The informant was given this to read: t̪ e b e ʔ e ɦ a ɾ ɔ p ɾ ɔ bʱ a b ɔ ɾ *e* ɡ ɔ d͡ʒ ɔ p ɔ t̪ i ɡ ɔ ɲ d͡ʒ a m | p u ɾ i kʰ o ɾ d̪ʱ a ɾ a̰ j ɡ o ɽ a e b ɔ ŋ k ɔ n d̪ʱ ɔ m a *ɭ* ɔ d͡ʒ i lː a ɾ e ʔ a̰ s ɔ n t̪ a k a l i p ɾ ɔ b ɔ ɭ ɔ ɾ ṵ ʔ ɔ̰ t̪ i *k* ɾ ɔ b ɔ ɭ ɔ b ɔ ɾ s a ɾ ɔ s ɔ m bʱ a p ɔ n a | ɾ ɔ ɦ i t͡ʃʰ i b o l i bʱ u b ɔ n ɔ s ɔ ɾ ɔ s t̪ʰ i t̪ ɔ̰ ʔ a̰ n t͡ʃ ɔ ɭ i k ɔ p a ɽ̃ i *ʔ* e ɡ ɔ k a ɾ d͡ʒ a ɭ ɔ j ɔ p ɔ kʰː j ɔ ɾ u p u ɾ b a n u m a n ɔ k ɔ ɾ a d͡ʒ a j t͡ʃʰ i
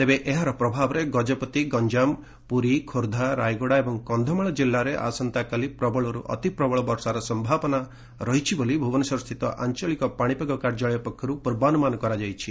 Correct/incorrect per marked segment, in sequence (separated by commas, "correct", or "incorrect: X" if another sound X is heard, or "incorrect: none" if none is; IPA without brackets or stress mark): correct, correct, incorrect: p, incorrect: p